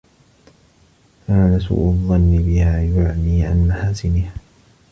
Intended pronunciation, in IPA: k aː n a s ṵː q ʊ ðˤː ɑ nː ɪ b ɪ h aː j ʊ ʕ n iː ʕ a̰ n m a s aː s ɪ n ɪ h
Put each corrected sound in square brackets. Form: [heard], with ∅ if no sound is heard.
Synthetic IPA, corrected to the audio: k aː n a s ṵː [ʔ] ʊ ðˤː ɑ nː ɪ b ɪ h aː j ʊ ʕ n iː ʕ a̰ n m a [ħ] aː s ɪ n ɪ h